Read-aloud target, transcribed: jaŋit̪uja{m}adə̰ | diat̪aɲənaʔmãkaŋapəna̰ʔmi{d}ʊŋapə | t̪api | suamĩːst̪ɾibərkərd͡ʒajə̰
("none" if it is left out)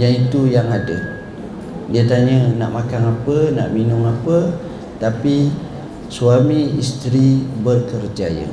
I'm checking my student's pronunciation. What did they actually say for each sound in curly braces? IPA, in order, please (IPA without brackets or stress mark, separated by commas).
ŋ, n